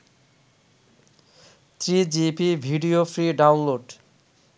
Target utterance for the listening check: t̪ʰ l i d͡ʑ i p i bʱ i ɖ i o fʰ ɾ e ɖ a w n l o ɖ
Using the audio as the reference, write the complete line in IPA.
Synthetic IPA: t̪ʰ ɾ i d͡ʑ i p i bʱ i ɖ i o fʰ ɾ i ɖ a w n l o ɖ